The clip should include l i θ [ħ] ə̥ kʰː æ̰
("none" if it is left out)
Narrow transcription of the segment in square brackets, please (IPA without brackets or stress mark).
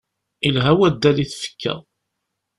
f